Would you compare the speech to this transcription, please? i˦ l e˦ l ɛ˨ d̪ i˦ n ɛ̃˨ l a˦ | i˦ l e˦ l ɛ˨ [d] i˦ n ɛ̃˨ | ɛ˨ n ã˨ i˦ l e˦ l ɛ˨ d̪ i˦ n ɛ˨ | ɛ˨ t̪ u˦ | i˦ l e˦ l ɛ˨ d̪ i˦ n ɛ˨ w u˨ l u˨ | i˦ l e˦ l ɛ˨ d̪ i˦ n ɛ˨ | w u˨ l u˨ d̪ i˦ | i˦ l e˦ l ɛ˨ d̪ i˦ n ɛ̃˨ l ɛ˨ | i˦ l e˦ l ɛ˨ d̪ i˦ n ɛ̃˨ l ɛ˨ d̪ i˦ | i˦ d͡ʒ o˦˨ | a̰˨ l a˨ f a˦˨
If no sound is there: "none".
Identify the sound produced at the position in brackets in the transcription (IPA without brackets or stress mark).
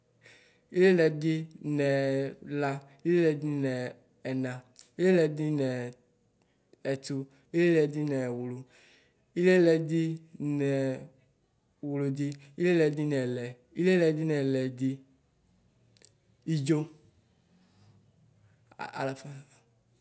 d